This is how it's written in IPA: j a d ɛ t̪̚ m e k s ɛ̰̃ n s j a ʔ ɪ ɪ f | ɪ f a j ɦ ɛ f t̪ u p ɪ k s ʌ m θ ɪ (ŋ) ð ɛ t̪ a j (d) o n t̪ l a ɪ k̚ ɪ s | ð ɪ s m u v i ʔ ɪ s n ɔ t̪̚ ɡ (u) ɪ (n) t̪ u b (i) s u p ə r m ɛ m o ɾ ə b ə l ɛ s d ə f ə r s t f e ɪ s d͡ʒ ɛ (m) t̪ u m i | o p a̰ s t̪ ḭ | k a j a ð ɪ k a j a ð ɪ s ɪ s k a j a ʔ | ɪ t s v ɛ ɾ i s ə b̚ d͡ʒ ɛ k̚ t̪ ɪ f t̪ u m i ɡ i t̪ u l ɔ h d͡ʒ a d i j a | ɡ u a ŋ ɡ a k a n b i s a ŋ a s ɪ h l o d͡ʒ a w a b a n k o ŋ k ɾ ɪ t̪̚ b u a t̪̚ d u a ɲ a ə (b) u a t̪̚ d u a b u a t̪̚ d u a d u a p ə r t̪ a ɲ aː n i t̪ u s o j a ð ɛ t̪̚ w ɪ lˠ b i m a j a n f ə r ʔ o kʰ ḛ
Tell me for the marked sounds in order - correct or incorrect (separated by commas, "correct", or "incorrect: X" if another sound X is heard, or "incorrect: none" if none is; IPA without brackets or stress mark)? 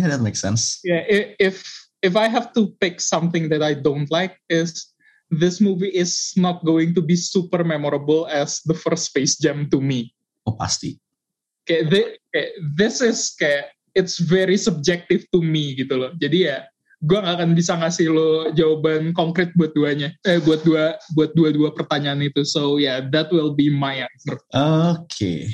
correct, correct, incorrect: o, incorrect: ŋ, correct, correct, correct